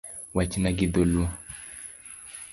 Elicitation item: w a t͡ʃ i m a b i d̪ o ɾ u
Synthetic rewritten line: w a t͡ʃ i n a ɡ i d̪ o l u